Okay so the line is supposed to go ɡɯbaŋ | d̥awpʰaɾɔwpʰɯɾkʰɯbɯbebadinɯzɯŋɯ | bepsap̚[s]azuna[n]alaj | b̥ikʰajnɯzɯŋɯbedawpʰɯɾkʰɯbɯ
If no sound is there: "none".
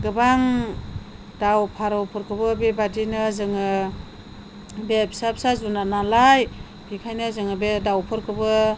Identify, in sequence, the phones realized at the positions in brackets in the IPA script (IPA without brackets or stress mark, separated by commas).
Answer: s, n